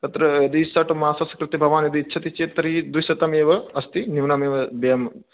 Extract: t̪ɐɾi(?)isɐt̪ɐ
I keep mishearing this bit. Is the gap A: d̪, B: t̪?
A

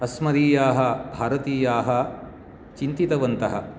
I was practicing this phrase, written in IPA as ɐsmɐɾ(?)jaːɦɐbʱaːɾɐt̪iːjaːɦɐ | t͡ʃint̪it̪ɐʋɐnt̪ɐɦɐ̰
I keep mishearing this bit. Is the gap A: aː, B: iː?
B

